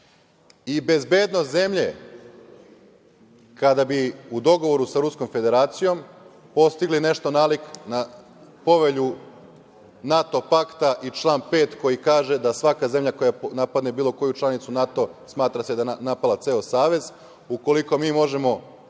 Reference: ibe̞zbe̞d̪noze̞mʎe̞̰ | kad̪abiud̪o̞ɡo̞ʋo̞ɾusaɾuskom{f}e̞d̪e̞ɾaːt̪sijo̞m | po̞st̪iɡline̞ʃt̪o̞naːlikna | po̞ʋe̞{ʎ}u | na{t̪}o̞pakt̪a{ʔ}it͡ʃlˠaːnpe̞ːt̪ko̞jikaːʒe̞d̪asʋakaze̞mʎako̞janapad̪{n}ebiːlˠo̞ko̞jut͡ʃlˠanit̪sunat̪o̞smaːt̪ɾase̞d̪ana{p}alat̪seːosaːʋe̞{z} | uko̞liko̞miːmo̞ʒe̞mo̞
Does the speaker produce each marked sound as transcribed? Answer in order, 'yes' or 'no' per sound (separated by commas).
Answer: yes, yes, yes, yes, yes, yes, yes